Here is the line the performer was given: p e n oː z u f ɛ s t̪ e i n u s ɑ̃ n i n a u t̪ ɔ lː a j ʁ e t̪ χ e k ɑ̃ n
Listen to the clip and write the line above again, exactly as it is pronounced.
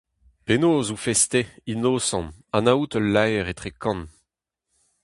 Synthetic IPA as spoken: p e n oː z u f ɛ s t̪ e i n o s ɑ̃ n a n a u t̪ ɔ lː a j ʁ e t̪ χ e k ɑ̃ n

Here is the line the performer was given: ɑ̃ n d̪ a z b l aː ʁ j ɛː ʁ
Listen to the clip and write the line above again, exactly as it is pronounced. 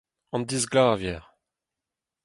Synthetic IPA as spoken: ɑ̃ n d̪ i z ɡ l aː v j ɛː ʁ

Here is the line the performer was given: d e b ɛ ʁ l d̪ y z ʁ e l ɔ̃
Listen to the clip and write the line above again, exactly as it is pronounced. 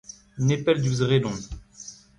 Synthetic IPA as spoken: n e p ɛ l d̪ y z ʁ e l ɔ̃

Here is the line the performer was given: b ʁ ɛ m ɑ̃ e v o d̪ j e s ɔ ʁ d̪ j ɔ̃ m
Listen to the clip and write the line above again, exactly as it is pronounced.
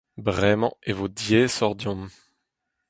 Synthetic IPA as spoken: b ʁ ɛ m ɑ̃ e v o d̪ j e s ɔ ʁ d̪ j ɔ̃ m

